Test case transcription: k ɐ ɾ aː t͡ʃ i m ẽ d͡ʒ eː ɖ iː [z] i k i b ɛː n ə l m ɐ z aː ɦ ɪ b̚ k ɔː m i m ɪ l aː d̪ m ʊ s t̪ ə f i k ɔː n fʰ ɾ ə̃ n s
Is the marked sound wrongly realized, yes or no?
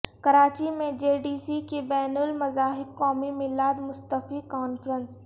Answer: yes